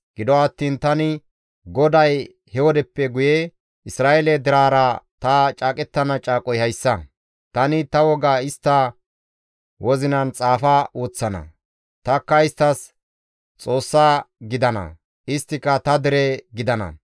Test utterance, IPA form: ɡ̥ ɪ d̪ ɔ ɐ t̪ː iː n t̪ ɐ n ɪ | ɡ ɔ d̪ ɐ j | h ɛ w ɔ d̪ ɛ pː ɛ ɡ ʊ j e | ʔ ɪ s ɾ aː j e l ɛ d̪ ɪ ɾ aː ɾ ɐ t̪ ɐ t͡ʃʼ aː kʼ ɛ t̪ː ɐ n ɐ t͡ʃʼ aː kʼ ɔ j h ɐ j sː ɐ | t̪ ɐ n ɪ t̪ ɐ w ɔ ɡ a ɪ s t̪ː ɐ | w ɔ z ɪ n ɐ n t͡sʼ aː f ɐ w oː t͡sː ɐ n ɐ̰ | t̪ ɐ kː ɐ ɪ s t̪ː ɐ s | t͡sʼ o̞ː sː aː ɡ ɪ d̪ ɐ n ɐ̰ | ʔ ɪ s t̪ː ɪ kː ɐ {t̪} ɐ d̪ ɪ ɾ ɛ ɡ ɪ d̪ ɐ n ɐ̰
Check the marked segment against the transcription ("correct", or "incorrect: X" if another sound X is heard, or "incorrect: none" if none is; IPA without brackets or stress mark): correct